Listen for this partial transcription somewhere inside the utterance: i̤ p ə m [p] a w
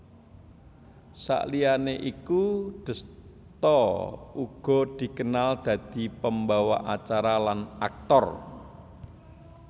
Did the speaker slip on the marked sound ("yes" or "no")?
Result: yes